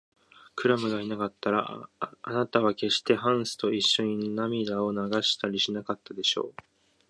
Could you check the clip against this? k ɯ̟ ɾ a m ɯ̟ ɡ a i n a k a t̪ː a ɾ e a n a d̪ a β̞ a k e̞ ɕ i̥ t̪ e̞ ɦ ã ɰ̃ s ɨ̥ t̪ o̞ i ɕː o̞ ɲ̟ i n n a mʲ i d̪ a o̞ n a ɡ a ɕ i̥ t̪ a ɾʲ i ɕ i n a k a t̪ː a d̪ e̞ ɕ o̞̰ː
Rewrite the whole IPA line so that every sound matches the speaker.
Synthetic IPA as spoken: k ɯ̟ ɾ a m ɯ̟ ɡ a i n a k a t̪ː a ɾ a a n a t̪ a β̞ a k e̞ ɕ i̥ t̪ e̞ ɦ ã ɰ̃ s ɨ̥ t̪ o̞ i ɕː o̞ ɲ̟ i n n a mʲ i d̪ a o̞ n a ɡ a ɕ i̥ t̪ a ɾʲ i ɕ i n a k a t̪ː a d̪ e̞ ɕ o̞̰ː

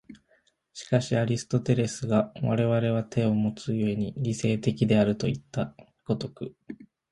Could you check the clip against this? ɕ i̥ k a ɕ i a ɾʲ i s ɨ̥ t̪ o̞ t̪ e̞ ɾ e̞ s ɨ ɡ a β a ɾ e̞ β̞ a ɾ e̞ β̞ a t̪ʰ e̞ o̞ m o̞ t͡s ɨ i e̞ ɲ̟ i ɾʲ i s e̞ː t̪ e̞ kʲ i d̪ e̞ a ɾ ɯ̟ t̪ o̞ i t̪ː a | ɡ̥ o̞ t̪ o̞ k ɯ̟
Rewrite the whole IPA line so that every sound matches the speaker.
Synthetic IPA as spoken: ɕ i̥ k a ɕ i a ɾʲ i s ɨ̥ t̪ o̞ t̪ e̞ ɾ e̞ s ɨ ɡ a β a ɾ e̞ β̞ a ɾ e̞ β̞ a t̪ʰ e̞ o̞ m o̞ t͡s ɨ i e̞ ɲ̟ i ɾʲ i s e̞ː t̪ e̞ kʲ i d̪ e̞ a ɾ ɯ̟ t̪ o̞ i t̪ː a | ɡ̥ o̞ t̪ o̞ k ɯ̟

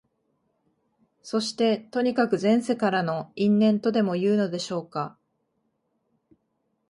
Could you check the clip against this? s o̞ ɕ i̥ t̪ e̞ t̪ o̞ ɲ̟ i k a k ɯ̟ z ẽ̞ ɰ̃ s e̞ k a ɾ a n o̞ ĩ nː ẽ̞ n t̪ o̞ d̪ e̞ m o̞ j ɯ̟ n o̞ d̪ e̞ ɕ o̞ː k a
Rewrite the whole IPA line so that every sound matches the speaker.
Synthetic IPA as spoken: s o̞ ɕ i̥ t̪ e̞ t̪ o̞ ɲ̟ i k a k ɯ̟ z ẽ̞ ɰ̃ s e̞ k a ɾ a n o̞ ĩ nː ẽ̞ n t̪ o̞ d̪ e̞ m o̞ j ɯ̟ː n o̞ d̪ e̞ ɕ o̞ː k a

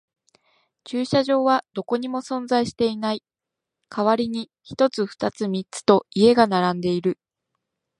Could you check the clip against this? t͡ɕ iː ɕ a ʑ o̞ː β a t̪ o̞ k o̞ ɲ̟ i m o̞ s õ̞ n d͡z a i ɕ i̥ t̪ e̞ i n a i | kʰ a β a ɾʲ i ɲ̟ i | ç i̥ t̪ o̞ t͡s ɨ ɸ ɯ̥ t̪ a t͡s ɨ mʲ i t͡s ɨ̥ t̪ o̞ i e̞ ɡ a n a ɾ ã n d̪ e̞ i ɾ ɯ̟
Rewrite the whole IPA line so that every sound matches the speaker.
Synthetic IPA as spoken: t͡ɕ ɨː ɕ a ʑ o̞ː β a d̪ o̞ k o̞ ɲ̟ i m o̞ s õ̞ n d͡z a i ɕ i̥ t̪ e̞ i n a i | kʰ a β a ɾʲ i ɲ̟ i | ç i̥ t̪ o̞ t͡s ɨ ɸ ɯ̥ t̪ a t͡s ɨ mʲ i t͡s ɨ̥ t̪ o̞ i e̞ ɡ a n a ɾ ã n d̪ e̞ i ɾ ɯ̟

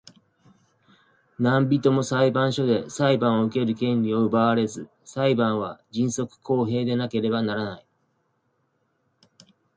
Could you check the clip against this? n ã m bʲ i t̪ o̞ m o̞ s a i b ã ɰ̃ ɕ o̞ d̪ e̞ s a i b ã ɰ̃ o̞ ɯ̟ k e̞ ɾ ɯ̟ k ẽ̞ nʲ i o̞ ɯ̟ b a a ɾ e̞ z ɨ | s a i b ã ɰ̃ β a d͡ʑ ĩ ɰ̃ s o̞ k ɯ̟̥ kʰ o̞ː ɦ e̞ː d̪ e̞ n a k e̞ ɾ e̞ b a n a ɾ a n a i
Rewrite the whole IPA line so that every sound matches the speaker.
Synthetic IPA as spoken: n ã m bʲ i t̪ o̞ m o̞ s a i b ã ɰ̃ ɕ o̞ d̪ e̞ s a i b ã ɰ̃ o̞ ɯ̟ k e̞ ɾ ɯ̟ k ẽ̞ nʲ i o̞ ɯ̟ b a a ɾ e̞ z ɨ | s a i b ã ɰ̃ β a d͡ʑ ĩ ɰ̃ s o̞ k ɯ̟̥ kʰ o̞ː ɦ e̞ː d̪ e̞ n a k e̞ ɾ e̞ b a n a ɾ a n a i

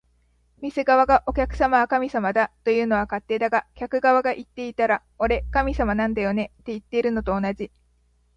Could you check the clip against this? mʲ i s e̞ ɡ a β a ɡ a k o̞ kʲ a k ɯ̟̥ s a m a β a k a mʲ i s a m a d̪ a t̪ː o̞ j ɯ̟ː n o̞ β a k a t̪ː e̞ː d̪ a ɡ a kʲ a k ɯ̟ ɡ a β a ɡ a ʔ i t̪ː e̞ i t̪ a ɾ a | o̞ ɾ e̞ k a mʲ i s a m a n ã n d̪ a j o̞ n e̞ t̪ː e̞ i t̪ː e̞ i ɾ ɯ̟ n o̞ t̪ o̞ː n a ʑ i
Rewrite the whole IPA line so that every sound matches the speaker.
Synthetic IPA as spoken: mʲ i s e̞ ɡ a β a ɡ a ʔ o̞ kʲ a k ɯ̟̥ s a m a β a k a mʲ i s a m a d̪ a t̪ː o̞ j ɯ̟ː n o̞ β a k a t̪ː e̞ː d̪ a ɡ a kʲ a k ɯ̟ ɡ a β a ɡ a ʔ i t̪ː e̞ i t̪ a ɾ a | o̞ ɾ e̞ k a mʲ i s a m a n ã n d̪ a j o̞ n e̞ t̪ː e̞ i t̪ː e̞ i ɾ ɯ̟ n o̞ t̪ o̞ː n a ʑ i

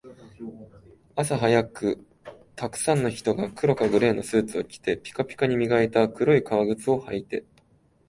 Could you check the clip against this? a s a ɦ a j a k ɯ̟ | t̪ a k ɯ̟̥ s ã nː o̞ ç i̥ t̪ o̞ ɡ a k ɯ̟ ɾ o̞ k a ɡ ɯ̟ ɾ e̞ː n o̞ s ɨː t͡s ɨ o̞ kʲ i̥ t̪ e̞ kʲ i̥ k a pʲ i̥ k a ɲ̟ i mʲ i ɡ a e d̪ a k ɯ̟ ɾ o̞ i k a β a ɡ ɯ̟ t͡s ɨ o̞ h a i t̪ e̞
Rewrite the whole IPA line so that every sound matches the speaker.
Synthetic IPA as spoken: a s a ɦ a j a k ɯ̟ | t̪ a k ɯ̟̥ s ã nː o̞ ç i̥ t̪ o̞ ɡ a k ɯ̟ ɾ o̞ k a ɡ ɯ̟ ɾ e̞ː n o̞ s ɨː t͡s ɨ o̞ kʲ i̥ t̪ e̞ pʲ i̥ k a pʲ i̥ k a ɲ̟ i mʲ i ɡ a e t̪ a k ɯ̟ ɾ o̞ i k a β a ɡ ɯ̟ t͡s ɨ o̞ h a i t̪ e̞

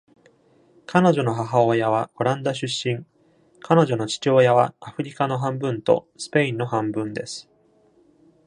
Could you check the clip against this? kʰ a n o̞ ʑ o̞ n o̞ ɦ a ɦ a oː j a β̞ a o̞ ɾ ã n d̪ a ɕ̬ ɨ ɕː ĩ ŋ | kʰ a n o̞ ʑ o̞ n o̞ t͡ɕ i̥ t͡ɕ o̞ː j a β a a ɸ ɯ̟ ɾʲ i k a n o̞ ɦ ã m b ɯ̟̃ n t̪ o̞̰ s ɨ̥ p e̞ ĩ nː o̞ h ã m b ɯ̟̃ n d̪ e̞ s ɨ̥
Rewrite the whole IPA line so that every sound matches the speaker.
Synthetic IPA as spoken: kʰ a n o̞ ʑ o̞ n o̞ ɦ a ɦ a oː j a β̞ a o̞ ɾ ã n d̪ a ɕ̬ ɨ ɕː ĩ ŋ | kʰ a n o̞ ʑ o̞ n o̞ t͡ɕ i̥ t͡ɕ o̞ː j a β a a ɸ ɯ̟ ɾʲ i k a n o̞ ɦ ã m b ɯ̟̃ n t̪ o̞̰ s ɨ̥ p e̞ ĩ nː o̞ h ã m b ɯ̟̃ n d̪ e̞ s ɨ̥

